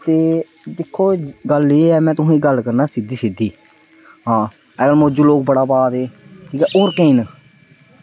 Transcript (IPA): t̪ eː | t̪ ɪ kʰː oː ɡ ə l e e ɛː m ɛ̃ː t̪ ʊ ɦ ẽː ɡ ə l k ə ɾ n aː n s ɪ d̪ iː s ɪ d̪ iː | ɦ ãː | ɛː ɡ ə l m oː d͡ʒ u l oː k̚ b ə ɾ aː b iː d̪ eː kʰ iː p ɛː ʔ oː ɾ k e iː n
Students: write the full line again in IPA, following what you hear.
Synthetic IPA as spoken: t̪ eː | d̪ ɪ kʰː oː ɡ ə l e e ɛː m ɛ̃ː t̪ ʊ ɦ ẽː ɡ ə l k ə ɾ n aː s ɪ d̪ iː s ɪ d̪ iː | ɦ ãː | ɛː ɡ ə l m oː d͡ʒ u l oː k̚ b ə ɽ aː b aː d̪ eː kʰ iː k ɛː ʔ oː ɾ k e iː n